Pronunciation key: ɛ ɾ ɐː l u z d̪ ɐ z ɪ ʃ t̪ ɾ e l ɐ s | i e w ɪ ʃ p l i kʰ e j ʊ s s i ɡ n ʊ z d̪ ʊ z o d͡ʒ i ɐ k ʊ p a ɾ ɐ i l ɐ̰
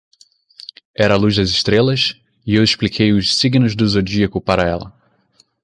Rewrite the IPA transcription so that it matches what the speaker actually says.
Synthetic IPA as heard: ɛ ɾ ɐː l u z d̪ ɐ z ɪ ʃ t̪ ɾ e l ɐ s | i e w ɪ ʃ p l i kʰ e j ʊ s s i ɡ n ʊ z d̪ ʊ z o d͡ʒ i ɐ k ʊ p a ɾ ɐ ɛ l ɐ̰